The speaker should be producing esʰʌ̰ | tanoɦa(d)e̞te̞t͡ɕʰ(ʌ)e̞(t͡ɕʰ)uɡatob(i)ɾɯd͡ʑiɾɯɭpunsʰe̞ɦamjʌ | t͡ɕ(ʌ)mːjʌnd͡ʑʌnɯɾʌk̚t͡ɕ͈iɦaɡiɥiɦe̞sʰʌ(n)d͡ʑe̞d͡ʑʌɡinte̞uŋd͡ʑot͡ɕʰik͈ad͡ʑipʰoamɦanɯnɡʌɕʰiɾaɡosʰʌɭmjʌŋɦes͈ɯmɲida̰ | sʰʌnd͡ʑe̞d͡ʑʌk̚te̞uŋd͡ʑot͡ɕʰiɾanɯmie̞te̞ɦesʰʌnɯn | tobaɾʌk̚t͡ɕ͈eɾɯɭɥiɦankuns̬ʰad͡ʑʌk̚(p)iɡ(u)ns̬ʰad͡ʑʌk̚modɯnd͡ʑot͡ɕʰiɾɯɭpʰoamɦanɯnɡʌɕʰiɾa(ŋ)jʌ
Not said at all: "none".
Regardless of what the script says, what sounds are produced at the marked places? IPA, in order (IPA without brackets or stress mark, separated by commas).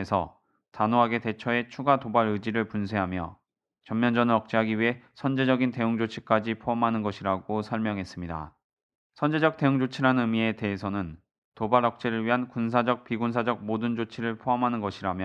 ɡ, ʌ, t͡ɕʰ, a, ʌ, n, p, u, m